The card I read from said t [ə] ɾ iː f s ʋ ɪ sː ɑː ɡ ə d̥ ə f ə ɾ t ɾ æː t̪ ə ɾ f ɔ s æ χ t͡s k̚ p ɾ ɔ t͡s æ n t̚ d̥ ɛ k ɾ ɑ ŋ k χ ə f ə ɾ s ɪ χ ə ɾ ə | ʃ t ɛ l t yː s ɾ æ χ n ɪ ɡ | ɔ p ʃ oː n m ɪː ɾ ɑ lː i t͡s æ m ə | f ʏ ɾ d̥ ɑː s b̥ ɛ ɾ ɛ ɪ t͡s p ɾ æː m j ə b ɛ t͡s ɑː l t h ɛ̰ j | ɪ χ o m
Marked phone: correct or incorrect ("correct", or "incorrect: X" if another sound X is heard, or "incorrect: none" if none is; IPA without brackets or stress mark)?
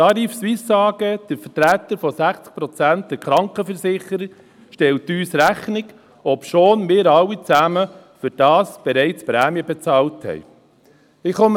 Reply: incorrect: ɑ